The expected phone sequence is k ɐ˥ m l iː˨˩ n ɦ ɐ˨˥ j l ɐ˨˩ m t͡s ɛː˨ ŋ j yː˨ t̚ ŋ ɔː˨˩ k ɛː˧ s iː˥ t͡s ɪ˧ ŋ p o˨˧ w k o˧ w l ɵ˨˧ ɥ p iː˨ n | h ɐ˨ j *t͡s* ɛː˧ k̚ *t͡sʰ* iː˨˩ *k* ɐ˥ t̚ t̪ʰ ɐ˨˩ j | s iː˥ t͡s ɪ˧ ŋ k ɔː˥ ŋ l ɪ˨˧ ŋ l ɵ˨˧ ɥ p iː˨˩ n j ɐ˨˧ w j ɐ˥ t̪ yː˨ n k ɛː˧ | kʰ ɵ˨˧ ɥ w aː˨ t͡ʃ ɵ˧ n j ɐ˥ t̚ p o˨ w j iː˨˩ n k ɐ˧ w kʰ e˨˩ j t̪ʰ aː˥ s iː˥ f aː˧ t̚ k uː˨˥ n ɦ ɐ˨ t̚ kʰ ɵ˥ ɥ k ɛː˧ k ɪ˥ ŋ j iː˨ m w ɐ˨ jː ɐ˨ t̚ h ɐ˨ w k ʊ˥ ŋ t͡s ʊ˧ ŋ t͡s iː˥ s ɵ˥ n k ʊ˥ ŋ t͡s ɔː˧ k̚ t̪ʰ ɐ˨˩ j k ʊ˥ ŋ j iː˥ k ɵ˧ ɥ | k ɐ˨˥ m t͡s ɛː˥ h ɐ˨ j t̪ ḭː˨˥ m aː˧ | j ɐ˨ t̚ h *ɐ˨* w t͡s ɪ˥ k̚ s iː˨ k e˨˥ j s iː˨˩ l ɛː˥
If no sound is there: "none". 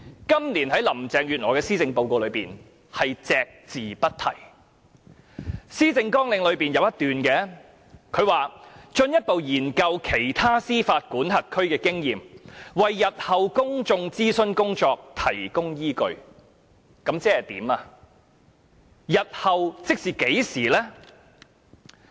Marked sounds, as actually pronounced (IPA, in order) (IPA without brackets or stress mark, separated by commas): t͡s, t͡s, p, ɐ˨